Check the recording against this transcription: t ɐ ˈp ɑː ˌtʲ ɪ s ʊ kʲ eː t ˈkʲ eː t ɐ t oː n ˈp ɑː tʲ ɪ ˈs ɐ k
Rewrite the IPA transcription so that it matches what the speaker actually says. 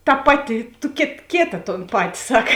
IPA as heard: t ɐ ˈp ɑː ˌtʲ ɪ t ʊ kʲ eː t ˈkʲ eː t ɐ t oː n ˈp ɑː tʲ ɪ ˈs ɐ k